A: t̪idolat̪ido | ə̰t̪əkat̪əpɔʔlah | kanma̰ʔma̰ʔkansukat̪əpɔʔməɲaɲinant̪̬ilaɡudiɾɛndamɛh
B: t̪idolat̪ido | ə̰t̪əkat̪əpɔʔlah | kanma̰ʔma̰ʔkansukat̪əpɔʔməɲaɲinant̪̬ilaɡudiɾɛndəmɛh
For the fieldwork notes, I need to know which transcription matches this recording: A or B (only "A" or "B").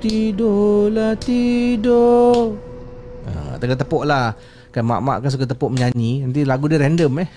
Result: B